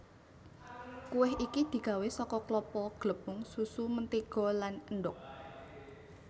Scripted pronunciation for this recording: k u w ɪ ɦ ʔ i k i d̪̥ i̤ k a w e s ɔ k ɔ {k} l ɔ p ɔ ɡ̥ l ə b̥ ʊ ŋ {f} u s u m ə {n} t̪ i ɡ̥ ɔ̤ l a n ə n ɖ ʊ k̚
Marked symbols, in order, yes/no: yes, no, yes

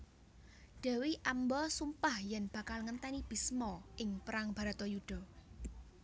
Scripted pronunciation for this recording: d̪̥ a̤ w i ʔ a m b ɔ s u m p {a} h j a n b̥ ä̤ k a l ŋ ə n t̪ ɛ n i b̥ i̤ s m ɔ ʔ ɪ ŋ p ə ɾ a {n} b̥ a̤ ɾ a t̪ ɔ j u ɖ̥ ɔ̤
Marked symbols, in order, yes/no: yes, no

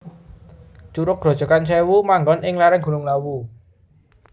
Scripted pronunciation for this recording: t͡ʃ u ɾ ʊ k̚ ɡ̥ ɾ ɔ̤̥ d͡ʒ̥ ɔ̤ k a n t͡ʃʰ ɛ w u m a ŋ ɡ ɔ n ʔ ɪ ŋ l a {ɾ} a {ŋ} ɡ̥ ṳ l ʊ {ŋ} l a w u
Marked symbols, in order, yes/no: yes, yes, yes

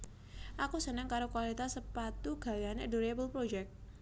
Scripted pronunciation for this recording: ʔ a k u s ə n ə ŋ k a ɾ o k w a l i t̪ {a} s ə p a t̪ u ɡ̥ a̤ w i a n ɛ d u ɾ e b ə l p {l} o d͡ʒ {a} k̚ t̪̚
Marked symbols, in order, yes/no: yes, no, no

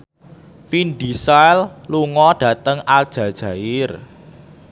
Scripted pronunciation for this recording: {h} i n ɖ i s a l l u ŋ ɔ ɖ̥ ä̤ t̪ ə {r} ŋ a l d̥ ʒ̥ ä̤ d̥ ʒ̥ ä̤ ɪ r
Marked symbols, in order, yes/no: no, no

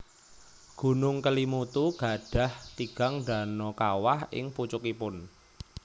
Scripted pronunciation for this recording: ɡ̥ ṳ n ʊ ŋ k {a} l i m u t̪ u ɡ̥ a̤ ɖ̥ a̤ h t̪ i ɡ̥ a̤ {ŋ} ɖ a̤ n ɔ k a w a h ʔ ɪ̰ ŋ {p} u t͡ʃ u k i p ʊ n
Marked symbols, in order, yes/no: no, yes, yes

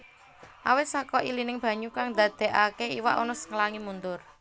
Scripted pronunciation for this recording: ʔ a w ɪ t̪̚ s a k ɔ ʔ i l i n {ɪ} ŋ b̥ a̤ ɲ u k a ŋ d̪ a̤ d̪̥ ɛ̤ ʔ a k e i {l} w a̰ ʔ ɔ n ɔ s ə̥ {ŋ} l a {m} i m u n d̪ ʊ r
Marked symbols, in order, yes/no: yes, no, yes, no

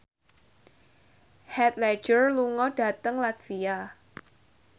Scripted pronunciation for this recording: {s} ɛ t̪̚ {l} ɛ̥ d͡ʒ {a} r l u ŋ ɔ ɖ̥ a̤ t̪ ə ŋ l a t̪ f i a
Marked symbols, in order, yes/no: no, yes, no

